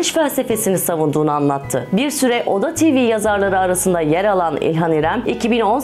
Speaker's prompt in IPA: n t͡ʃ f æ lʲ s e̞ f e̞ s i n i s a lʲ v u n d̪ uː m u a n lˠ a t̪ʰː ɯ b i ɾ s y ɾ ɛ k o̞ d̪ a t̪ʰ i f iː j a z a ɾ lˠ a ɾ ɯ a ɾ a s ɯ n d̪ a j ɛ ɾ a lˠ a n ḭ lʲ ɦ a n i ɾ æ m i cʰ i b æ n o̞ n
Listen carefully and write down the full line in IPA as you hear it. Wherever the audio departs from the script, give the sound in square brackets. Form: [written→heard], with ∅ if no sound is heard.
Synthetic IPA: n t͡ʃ f æ lʲ s e̞ f e̞ s i n i s a [lʲ→∅] v u n d̪ uː [m→n] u a n lˠ a t̪ʰː ɯ b i ɾ s y ɾ ɛ [k→ʔ] o̞ d̪ a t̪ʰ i [f→v] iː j a z a ɾ lˠ a ɾ ɯ a ɾ a s ɯ n d̪ a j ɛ ɾ a lˠ a n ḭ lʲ ɦ a n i ɾ æ m i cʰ i b [æ→i] n o̞ n